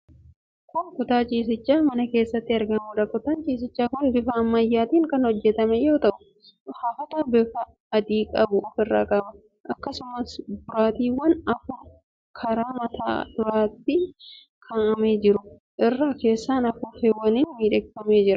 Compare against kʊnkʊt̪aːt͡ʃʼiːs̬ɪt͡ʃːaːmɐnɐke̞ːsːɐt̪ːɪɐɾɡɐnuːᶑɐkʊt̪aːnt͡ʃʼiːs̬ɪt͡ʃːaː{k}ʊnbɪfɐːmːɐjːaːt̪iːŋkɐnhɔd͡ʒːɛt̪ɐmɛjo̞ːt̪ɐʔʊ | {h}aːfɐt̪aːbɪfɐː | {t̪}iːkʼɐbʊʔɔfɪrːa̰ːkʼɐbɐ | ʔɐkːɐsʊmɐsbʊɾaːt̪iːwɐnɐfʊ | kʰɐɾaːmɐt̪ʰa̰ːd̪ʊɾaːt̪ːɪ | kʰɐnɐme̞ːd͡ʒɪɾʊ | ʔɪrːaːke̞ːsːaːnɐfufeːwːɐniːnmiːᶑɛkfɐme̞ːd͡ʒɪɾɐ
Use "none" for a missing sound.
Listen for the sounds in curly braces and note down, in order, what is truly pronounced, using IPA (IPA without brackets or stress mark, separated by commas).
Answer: k, h, d̪